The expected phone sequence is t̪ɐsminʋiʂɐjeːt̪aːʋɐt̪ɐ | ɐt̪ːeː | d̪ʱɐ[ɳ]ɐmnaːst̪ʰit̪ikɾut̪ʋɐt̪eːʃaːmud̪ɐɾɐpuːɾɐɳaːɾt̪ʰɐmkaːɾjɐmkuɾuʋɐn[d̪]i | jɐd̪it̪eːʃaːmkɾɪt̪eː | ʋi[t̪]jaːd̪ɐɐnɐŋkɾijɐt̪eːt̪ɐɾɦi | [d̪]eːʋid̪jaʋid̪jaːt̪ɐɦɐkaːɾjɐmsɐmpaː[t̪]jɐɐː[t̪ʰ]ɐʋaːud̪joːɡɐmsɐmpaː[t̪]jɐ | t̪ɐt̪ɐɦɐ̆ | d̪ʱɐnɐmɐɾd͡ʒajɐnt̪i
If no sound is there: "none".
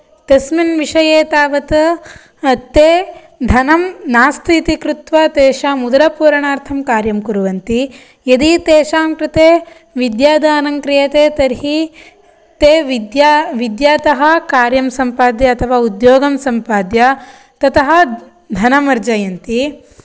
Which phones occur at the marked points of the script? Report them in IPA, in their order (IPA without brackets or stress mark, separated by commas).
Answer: n, t̪, d̪, t̪, d̪, t̪ʰ, d̪